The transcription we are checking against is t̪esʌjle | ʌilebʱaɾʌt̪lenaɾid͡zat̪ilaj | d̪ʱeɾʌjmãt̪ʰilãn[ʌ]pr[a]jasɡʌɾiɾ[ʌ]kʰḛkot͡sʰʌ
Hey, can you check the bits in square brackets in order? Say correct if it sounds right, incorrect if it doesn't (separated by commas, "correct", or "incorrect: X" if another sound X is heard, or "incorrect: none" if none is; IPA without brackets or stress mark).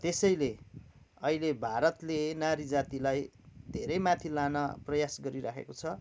correct, incorrect: ʌ, incorrect: a